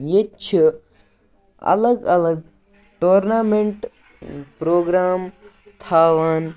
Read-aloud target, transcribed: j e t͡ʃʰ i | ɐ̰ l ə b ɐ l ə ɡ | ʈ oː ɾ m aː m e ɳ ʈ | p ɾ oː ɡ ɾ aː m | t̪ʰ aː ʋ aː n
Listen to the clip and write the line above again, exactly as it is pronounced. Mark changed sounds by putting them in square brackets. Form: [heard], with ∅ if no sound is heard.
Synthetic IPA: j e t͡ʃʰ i | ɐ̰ l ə [ɡ] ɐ l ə ɡ | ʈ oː ɾ [n] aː m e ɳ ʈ | p ɾ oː ɡ ɾ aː m | t̪ʰ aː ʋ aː n